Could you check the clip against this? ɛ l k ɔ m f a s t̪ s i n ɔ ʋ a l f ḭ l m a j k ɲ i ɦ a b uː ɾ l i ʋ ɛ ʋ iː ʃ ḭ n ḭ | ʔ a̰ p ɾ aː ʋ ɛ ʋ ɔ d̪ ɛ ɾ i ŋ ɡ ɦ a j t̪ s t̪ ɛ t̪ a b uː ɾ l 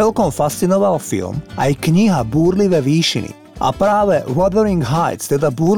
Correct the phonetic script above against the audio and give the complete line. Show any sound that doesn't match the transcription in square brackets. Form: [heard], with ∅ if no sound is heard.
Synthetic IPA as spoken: ɛ l k ɔ m f a s t̪ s i n ɔ ʋ a l f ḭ l m a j k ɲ i ɦ a b uː ɾ l i ʋ ɛ ʋ iː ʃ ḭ n ḭ | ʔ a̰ p ɾ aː ʋ ɛ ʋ ɔ d̪ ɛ ɾ i ŋ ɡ ɦ a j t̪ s t̪ ɛ [d̪] a b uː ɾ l